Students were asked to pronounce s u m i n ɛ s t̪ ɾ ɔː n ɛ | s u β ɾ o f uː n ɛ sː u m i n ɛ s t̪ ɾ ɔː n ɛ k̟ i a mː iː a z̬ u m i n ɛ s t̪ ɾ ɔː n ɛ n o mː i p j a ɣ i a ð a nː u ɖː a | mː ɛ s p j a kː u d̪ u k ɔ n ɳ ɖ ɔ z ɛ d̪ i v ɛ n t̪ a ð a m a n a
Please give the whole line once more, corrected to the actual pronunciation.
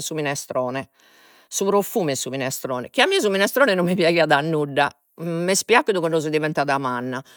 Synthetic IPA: s u m i n ɛ s t̪ ɾ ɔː n ɛ | s u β ɾ o f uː m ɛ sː u m i n ɛ s t̪ ɾ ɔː n ɛ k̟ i a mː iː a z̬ u m i n ɛ s t̪ ɾ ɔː n ɛ n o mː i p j a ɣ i a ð a nː u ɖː a | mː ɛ s p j a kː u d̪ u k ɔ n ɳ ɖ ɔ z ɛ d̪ i v ɛ n t̪ a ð a m a nː a